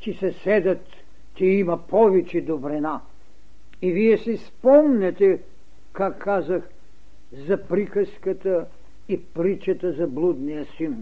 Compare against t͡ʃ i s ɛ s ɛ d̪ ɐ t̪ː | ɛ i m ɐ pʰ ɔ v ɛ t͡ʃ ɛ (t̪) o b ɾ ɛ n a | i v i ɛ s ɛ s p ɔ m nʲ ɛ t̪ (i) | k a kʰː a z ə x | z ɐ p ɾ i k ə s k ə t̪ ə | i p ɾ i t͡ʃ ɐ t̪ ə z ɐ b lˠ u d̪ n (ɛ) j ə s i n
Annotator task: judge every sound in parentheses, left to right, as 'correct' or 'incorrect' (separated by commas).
incorrect, incorrect, incorrect